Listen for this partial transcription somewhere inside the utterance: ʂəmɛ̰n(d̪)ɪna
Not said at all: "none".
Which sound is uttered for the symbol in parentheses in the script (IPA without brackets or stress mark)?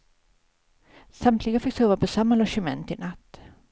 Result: t̪